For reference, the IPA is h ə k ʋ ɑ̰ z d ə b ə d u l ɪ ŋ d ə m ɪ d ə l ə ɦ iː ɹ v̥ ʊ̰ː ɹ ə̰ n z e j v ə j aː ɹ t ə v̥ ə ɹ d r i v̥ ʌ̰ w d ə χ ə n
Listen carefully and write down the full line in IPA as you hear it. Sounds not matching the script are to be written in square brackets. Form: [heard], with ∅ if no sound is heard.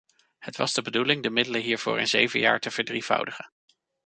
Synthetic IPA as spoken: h ə [t] ʋ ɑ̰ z d ə b ə d u l ɪ ŋ d ə m ɪ d ə l ə ɦ iː ɹ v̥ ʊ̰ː ɹ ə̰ n z e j v ə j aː ɹ t ə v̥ ə ɹ d r i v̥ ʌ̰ w d ə χ ə n